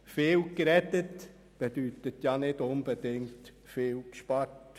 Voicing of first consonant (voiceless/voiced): voiceless